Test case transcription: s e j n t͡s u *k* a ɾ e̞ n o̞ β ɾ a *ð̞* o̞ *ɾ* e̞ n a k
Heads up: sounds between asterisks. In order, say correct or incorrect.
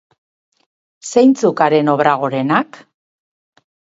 correct, incorrect: ɣ̞, correct

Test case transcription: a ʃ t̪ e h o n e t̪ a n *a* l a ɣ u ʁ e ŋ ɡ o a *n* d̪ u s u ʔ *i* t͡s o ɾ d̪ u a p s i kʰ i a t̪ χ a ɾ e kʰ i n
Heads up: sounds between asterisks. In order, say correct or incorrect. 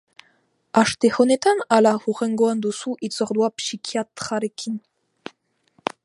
correct, correct, correct

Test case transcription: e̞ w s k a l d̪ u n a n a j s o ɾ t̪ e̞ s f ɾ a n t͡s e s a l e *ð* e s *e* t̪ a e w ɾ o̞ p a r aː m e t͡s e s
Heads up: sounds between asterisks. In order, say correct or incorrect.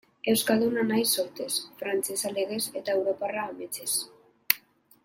incorrect: ɣ, correct

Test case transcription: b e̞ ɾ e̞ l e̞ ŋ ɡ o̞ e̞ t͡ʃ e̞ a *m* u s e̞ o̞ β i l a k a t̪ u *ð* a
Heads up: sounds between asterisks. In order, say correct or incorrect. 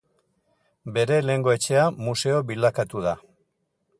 correct, correct

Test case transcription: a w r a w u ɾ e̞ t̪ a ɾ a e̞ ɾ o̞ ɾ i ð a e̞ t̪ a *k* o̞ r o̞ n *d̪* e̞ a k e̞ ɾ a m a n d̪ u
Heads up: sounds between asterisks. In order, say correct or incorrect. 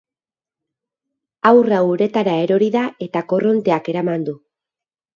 correct, incorrect: t̪

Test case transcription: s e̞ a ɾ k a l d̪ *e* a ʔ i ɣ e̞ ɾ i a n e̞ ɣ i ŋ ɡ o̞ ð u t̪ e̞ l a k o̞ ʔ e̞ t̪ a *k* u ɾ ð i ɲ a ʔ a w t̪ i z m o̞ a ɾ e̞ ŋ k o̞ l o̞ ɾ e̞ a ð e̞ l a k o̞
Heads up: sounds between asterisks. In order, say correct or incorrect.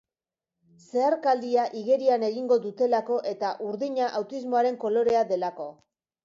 incorrect: i, incorrect: ʔ

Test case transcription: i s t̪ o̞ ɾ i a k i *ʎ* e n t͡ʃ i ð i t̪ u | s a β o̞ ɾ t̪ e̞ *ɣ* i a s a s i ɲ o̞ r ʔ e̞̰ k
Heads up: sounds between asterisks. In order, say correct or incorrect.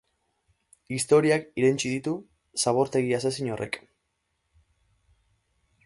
incorrect: ɾ, correct

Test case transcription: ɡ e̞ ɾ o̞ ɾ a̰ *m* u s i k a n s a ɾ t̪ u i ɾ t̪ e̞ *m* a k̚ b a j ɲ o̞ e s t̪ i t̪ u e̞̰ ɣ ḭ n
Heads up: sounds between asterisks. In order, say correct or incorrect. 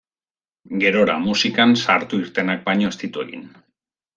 correct, incorrect: n

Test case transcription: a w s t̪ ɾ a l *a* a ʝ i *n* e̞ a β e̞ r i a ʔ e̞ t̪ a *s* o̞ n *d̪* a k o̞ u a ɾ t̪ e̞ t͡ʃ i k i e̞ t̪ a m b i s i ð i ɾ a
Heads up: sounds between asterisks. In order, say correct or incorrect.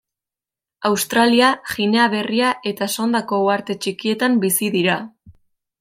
incorrect: i, correct, correct, correct

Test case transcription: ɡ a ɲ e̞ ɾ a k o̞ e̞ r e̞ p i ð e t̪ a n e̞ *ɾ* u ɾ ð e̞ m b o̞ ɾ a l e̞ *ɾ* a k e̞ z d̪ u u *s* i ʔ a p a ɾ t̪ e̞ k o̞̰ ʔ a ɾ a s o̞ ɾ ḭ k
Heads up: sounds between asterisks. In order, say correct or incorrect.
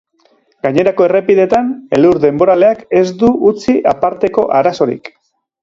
incorrect: l, incorrect: none, incorrect: t͡s

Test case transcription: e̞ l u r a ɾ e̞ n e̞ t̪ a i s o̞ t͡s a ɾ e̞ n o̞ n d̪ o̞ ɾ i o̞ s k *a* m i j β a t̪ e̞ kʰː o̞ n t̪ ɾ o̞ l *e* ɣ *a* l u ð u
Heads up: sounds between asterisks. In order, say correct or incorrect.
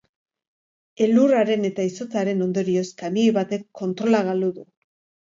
correct, incorrect: a, correct

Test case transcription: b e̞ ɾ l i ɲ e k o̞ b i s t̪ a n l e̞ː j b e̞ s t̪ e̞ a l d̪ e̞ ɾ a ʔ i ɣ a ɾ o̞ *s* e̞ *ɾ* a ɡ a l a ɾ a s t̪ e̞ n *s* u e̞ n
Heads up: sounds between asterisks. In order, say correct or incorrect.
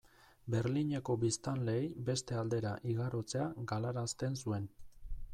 incorrect: t͡s, incorrect: none, correct

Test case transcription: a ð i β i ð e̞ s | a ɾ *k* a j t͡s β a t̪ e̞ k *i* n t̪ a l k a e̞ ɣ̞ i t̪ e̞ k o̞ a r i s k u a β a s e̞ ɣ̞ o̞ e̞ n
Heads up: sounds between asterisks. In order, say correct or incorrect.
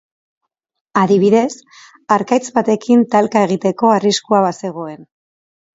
correct, correct

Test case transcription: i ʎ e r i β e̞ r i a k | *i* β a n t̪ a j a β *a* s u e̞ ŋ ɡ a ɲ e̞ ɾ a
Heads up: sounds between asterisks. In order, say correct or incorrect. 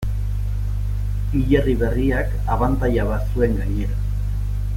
incorrect: a, correct

